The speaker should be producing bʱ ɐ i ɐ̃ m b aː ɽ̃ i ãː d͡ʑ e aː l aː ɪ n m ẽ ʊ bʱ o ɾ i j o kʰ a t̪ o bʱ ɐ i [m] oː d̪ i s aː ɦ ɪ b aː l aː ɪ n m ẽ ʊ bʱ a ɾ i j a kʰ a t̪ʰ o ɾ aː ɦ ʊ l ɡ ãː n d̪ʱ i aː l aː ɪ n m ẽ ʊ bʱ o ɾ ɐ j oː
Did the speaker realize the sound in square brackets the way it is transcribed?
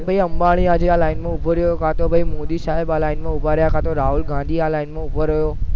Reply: yes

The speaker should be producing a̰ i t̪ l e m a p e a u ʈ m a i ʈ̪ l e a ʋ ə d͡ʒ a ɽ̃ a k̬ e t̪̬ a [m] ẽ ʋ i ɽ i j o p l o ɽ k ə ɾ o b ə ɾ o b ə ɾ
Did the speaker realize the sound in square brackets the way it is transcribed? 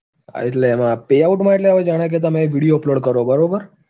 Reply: yes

